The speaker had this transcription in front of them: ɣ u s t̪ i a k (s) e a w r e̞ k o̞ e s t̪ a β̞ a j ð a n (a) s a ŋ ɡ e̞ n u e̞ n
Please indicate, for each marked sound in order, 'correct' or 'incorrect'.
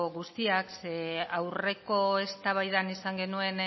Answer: correct, incorrect

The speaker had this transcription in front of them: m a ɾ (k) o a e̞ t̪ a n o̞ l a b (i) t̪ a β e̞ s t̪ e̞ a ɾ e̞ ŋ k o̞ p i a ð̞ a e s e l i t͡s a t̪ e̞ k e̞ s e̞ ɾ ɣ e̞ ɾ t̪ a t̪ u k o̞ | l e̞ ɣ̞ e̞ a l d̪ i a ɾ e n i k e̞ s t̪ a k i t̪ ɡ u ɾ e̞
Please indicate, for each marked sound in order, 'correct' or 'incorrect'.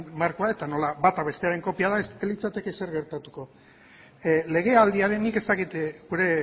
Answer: correct, incorrect

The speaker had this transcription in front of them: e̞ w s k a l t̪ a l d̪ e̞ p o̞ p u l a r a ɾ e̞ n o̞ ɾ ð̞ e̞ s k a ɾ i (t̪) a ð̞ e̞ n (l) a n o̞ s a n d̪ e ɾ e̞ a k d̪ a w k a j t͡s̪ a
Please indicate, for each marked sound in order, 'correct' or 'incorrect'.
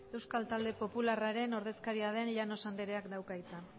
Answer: incorrect, incorrect

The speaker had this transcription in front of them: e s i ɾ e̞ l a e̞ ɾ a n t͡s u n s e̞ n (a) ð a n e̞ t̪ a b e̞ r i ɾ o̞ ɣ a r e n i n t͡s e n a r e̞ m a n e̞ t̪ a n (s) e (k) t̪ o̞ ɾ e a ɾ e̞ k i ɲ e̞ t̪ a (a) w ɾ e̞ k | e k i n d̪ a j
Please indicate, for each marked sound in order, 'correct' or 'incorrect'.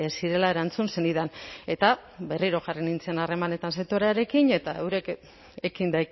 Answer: incorrect, correct, incorrect, incorrect

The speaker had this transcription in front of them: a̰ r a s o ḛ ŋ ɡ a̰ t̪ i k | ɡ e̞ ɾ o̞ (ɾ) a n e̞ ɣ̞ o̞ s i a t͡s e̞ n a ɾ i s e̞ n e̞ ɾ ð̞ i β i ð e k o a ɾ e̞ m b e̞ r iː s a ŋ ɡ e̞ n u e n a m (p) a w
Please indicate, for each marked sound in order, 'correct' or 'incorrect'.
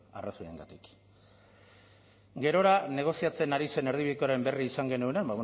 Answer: correct, incorrect

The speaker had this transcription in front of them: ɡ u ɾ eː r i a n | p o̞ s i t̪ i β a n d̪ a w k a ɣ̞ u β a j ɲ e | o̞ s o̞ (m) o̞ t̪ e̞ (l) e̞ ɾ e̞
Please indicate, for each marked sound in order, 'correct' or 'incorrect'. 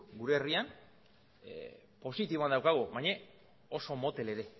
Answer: correct, correct

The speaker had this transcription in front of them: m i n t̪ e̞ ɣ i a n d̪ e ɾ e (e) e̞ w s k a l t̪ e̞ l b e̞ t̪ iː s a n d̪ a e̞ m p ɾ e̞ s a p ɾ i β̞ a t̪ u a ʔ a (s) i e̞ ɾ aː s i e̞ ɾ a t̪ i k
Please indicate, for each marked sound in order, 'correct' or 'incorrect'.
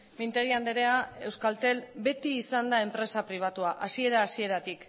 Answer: incorrect, correct

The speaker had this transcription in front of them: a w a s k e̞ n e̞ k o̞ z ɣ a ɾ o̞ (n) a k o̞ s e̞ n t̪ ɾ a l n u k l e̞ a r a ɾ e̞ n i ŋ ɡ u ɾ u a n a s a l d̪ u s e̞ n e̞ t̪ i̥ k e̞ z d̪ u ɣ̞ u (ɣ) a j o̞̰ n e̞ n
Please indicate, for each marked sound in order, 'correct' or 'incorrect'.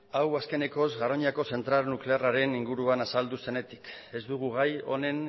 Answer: incorrect, correct

